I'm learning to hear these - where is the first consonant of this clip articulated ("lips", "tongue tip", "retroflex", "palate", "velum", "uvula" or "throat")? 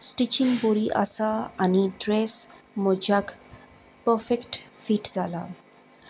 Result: tongue tip